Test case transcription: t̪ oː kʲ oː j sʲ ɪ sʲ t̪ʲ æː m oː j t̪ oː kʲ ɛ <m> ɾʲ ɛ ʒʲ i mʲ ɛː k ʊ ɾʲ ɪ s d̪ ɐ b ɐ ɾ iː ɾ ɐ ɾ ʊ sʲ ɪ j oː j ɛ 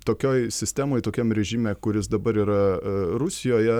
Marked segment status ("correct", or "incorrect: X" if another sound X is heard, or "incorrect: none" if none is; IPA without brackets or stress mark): correct